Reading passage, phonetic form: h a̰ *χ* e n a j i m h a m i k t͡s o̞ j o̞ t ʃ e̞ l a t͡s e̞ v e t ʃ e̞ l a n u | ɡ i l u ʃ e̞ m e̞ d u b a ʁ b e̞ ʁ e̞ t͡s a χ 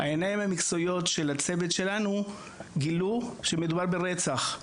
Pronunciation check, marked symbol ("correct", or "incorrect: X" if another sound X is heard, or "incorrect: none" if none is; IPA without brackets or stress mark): incorrect: none